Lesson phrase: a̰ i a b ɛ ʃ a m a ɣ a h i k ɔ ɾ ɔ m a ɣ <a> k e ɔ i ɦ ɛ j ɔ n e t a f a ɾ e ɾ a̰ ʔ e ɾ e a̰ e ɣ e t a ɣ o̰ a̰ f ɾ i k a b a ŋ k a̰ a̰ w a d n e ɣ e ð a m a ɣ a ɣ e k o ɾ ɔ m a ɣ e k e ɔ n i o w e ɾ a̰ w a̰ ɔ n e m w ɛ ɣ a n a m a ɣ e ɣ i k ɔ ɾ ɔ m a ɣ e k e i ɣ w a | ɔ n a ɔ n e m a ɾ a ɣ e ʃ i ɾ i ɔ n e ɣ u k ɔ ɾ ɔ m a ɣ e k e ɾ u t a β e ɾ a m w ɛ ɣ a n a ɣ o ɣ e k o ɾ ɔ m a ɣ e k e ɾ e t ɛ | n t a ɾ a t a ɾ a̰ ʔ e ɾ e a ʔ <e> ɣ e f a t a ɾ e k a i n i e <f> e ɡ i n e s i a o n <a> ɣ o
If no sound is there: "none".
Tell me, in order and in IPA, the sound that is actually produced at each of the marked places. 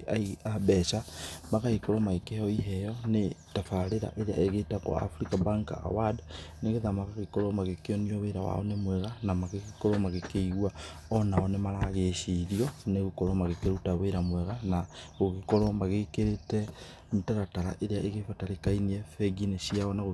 e, e, f, a

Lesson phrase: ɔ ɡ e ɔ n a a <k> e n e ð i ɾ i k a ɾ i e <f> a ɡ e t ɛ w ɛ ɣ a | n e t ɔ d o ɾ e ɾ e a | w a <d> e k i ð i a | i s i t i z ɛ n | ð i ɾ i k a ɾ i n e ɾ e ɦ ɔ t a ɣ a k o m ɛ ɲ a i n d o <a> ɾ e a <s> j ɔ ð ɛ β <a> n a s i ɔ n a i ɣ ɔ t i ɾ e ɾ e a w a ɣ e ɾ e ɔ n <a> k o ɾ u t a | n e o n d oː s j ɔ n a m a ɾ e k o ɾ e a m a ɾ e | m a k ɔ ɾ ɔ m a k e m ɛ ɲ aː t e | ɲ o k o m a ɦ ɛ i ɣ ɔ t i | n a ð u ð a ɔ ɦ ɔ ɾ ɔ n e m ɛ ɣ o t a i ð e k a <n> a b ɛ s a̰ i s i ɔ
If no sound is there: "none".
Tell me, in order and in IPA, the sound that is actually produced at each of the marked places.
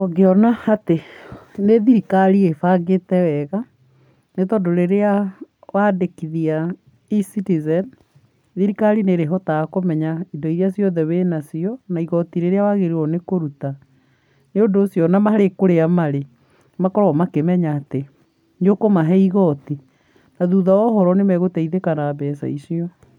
t, f, d, i, s, e, e, n

